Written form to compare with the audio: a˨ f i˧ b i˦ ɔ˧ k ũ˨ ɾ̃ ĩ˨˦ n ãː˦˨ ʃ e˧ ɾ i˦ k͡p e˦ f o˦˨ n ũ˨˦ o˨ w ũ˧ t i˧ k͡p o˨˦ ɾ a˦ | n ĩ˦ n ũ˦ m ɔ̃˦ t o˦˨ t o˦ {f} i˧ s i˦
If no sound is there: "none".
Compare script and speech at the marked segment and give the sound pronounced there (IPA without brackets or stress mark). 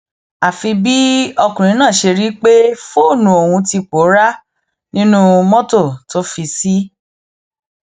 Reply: f